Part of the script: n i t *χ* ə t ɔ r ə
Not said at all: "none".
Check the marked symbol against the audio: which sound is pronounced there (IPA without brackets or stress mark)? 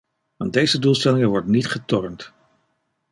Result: χ